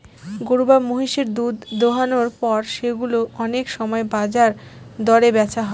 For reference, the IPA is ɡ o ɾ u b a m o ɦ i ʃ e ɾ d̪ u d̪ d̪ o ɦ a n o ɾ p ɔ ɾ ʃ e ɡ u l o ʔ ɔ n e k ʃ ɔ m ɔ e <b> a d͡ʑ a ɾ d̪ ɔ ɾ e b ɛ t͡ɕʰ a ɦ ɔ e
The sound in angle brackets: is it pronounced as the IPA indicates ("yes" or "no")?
yes